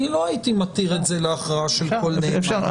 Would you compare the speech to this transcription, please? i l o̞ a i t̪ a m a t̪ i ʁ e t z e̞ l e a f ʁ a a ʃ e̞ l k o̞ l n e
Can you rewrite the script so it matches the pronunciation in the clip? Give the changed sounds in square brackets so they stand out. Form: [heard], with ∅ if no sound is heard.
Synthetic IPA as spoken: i l o̞ a i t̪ [i] m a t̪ i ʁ e t z e̞ l e a [χ] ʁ a a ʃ e̞ l k o̞ l n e